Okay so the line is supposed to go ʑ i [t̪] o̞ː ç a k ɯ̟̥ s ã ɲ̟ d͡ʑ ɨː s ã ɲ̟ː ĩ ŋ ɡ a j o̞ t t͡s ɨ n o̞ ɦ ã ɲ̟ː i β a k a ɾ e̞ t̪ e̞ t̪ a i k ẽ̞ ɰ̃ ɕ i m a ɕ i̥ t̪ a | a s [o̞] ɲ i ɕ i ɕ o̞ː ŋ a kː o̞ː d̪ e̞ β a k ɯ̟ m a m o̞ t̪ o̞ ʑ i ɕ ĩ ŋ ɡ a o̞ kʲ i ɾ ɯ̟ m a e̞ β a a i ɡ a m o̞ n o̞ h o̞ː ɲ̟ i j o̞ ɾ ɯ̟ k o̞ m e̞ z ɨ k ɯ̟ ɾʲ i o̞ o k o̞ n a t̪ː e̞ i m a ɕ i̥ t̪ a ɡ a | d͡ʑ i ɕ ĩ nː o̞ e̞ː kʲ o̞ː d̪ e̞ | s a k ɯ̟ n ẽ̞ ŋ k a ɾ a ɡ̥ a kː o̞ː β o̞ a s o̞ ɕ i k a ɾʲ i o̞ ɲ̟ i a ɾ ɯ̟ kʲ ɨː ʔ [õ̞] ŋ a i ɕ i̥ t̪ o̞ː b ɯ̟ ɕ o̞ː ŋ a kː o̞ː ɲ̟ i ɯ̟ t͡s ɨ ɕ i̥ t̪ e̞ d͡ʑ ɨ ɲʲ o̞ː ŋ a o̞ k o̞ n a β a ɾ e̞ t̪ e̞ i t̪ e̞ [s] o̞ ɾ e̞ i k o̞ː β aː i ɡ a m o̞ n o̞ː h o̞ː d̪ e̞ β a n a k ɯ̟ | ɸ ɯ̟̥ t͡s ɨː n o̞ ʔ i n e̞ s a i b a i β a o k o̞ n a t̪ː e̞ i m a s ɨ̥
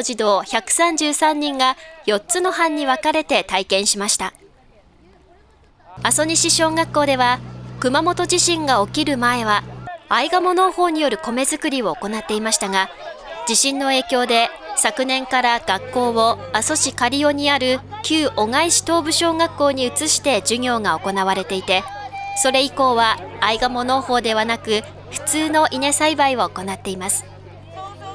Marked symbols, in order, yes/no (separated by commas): no, yes, no, yes